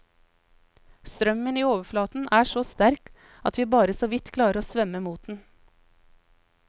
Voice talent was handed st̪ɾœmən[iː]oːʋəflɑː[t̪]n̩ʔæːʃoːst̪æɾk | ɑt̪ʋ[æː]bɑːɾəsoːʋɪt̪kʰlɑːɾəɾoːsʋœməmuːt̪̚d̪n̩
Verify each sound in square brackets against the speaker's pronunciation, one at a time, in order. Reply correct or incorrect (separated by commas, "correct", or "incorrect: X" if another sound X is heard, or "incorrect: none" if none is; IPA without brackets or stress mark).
correct, correct, incorrect: iː